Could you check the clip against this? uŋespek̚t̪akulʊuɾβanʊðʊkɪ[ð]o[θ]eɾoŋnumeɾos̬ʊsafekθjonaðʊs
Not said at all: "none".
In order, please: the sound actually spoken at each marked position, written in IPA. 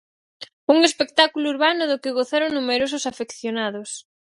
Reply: ɣ, θ

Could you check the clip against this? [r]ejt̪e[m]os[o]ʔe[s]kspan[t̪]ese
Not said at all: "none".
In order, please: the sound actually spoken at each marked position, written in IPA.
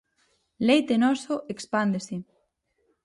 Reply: l, n, o, none, d̪

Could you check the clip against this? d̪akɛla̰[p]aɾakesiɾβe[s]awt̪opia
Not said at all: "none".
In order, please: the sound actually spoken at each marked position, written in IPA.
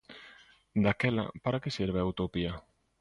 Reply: p, none

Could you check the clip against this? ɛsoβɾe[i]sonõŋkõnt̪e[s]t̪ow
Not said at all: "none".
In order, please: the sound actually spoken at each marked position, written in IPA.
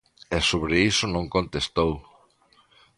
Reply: i, s

